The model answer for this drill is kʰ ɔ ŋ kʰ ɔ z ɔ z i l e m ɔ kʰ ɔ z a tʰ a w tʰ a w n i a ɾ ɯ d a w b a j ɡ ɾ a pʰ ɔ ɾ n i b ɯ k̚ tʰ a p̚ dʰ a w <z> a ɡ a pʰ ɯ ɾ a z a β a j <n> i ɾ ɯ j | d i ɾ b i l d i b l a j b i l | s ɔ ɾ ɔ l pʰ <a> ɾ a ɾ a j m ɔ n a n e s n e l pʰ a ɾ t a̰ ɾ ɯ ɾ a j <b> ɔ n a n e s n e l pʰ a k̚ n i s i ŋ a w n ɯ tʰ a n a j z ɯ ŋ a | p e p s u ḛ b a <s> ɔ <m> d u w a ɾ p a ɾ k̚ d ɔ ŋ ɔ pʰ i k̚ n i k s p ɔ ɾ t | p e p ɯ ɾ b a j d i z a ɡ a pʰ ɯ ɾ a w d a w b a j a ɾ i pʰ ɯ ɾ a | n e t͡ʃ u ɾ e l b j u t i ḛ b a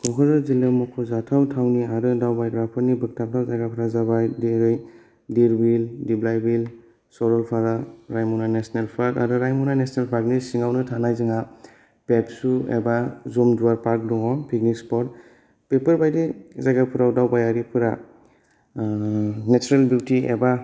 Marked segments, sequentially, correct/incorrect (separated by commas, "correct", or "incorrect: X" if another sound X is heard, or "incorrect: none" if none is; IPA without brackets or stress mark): correct, incorrect: d, correct, incorrect: m, incorrect: z, correct